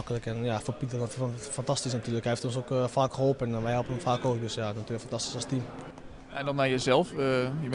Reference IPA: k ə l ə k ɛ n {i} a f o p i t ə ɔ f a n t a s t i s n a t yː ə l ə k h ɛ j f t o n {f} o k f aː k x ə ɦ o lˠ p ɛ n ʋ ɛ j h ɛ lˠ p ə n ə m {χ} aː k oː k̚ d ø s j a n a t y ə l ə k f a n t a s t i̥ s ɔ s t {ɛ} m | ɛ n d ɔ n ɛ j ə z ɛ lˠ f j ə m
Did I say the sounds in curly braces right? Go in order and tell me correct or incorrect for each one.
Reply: incorrect: j, incorrect: s, incorrect: f, incorrect: i

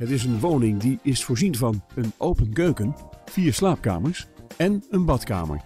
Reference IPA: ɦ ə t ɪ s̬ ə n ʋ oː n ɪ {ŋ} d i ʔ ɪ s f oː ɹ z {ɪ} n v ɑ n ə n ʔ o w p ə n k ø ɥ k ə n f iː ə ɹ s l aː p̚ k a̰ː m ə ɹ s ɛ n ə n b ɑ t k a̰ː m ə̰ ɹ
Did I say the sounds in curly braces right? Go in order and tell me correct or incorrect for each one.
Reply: correct, incorrect: i

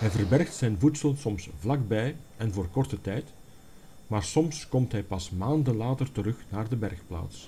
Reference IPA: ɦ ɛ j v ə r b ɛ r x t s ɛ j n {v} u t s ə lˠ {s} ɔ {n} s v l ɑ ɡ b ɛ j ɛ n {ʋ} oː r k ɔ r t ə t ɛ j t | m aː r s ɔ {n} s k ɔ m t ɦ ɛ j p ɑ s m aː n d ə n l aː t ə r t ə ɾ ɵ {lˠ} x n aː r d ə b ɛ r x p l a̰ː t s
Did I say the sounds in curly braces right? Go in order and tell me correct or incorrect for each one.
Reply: correct, correct, incorrect: m, incorrect: v, incorrect: m, incorrect: none

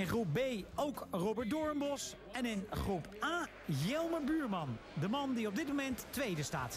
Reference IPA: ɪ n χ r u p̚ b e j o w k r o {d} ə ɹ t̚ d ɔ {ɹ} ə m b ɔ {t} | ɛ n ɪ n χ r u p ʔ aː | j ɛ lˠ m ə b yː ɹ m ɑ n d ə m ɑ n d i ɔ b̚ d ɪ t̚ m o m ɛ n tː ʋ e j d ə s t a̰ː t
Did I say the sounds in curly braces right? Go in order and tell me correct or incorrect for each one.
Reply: incorrect: b, correct, incorrect: s

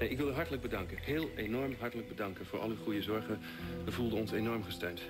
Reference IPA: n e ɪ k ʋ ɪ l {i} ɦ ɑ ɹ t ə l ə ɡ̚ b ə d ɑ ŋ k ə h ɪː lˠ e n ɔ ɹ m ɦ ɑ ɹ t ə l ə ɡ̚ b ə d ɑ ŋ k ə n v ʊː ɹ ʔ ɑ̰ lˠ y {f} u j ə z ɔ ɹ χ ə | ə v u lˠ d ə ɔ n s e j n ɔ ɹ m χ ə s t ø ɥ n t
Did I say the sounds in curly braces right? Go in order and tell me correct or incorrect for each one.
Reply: incorrect: y, incorrect: χ

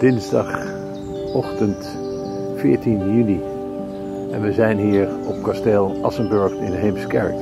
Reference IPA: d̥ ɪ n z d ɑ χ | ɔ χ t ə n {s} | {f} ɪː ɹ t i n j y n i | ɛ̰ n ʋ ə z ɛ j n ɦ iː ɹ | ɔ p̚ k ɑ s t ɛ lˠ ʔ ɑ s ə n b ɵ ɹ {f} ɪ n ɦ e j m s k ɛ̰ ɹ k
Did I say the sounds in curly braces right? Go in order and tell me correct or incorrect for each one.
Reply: incorrect: t, correct, incorrect: χ

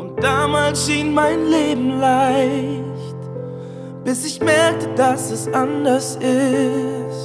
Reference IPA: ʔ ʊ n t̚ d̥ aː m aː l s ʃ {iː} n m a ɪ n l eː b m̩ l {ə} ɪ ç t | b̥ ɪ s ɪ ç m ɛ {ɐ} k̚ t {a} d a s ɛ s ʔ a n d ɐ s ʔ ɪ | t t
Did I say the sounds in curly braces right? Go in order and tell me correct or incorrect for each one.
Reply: correct, incorrect: a, correct, incorrect: ə

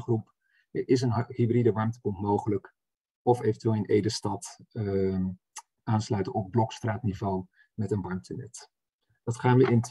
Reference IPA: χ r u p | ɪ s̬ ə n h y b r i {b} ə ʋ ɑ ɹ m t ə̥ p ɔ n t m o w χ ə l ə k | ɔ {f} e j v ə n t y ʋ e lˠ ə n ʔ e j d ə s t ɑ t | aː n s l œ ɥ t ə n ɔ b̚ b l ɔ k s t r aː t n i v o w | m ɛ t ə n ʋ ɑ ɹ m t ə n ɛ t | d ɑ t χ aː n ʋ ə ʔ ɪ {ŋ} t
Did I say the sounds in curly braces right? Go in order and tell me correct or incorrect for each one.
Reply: incorrect: d, correct, incorrect: n

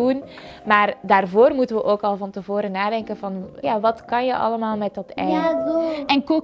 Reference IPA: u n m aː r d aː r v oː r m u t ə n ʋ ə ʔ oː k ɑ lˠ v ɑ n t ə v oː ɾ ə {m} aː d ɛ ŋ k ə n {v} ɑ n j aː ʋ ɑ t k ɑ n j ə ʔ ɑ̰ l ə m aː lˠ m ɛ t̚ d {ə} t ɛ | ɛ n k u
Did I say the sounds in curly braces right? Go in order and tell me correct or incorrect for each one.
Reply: incorrect: n, correct, incorrect: ɑ

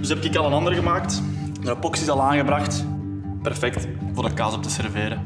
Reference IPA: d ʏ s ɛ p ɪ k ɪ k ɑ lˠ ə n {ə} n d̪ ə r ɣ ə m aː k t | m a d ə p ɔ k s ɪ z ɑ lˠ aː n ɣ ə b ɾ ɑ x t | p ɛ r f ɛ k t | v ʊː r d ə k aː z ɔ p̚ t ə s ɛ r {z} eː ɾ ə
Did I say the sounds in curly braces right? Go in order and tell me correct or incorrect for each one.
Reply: incorrect: ɑ, incorrect: v

